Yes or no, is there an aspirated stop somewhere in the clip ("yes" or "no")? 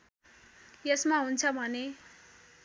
yes